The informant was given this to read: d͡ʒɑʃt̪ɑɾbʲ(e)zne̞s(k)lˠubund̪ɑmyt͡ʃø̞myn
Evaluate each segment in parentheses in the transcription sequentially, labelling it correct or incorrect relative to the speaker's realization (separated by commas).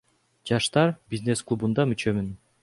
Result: incorrect, correct